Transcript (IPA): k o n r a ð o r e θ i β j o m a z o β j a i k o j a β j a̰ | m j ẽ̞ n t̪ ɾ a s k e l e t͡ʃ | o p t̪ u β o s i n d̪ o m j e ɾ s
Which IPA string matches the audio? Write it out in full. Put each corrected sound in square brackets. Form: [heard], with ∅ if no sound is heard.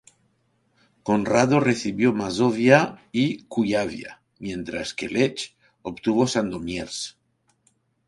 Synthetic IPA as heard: k o n r a ð o r e θ i β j o m a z o β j a i k [u] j a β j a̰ | m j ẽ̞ n t̪ ɾ a s k e l e t͡ʃ | o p t̪ u β o s [a] n d̪ o m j e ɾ s